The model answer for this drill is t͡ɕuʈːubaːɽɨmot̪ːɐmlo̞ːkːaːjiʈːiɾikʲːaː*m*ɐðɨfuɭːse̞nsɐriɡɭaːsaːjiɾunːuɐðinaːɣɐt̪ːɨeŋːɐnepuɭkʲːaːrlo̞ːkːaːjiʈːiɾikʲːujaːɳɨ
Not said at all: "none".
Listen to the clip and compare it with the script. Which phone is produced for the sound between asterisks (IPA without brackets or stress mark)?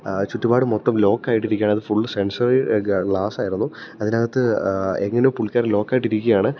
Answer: ɳ